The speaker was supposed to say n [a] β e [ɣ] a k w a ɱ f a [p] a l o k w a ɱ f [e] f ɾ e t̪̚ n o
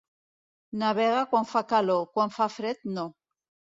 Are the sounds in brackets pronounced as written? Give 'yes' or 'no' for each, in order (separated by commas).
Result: yes, yes, no, no